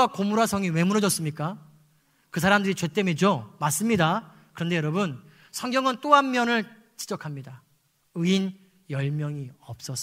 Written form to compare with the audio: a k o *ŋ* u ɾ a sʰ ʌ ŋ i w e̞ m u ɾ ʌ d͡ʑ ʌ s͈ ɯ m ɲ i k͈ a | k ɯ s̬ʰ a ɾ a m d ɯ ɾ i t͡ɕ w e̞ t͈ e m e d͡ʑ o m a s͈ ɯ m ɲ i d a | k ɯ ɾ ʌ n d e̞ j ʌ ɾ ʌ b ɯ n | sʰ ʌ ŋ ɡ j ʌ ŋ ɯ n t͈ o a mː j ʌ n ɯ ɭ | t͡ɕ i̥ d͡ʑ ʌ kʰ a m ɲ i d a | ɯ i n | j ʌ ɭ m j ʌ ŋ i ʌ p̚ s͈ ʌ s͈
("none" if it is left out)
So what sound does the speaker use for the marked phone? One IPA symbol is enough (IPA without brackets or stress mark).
m